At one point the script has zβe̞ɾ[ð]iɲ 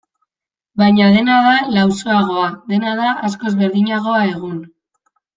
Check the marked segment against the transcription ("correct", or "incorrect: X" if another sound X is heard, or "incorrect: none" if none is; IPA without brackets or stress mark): correct